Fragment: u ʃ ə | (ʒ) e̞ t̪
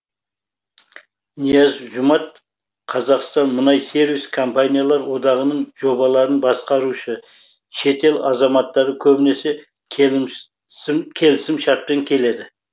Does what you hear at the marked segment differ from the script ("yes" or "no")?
yes